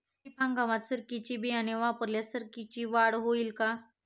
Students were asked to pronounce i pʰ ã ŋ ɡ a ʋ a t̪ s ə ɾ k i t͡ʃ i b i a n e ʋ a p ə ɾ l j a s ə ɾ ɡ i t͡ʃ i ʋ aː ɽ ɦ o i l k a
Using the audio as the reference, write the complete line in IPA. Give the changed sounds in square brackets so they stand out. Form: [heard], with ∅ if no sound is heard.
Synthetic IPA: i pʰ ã ŋ ɡ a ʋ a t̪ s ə ɾ k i t͡ʃ i b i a n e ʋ a p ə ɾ l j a s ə ɾ [k] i t͡ʃ i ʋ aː ɽ ɦ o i l k a